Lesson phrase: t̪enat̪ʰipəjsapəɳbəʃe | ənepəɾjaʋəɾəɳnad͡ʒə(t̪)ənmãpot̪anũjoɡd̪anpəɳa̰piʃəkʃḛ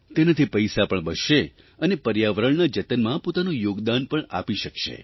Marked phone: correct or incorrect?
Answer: correct